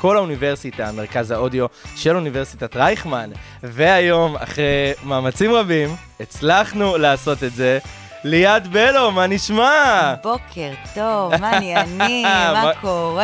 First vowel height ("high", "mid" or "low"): mid